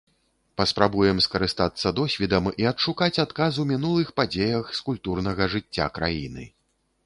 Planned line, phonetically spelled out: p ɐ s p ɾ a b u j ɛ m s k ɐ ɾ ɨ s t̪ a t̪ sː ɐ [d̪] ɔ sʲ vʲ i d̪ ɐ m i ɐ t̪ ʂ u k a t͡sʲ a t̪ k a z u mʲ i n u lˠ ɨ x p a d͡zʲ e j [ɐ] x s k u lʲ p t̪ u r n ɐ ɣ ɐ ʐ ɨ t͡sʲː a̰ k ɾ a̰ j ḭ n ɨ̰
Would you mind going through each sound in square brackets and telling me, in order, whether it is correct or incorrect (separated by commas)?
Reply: correct, correct